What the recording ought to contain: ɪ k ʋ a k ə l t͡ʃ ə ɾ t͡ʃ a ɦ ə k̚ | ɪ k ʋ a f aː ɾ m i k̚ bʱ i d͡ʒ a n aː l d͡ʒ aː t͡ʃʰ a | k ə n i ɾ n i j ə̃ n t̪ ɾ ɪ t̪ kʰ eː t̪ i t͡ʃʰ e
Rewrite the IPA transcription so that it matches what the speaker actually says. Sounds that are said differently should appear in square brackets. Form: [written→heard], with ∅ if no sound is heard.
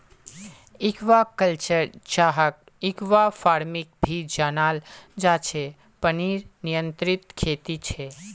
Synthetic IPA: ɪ k ʋ a k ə l t͡ʃ ə ɾ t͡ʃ a ɦ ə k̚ | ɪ k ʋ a f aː ɾ m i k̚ bʱ i d͡ʒ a n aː l d͡ʒ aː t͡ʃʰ [a→e] | [k→p] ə n i ɾ n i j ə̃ n t̪ ɾ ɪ t̪ kʰ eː t̪ i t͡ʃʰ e